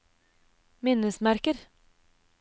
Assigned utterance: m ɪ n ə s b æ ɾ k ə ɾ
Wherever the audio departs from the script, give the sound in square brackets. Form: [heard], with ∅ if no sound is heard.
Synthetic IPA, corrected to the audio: m ɪ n ə s [m] æ ɾ k ə ɾ